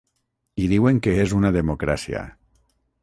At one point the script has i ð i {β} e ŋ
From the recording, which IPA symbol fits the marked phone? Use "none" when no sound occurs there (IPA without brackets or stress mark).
w